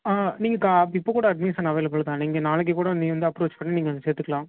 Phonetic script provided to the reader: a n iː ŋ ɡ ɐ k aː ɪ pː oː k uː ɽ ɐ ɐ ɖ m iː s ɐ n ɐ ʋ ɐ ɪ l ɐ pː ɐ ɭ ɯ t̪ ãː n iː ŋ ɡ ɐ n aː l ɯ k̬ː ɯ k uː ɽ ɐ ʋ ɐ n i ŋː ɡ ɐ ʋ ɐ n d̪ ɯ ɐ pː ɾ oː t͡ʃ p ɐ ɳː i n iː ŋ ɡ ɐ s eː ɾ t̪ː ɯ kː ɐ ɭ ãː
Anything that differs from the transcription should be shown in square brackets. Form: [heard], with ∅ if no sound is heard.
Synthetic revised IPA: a n iː ŋ ɡ ɐ k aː ɪ pː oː k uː ɽ ɐ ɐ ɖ m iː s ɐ n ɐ ʋ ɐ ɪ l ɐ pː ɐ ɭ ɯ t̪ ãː n iː ŋ ɡ ɐ n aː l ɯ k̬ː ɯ k uː ɽ ɐ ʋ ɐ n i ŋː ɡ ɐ ʋ ɐ n d̪ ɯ ɐ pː ɾ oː t͡ʃ p ɐ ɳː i n iː ŋ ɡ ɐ s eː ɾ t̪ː ɯ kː ɐ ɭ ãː